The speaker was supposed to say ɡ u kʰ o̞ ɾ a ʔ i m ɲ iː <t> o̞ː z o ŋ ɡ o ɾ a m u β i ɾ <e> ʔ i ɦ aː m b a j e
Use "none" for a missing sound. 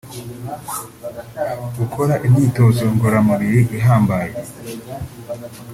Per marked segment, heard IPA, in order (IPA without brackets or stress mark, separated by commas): t, i